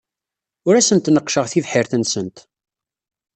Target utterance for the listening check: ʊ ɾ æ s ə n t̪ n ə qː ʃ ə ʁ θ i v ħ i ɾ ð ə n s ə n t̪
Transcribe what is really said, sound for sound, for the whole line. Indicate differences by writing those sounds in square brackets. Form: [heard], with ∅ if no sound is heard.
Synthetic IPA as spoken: ʊ ɾ æ s ə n t̪ n ə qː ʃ ə ʁ θ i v ħ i ɾ [θ] ə n s ə n t̪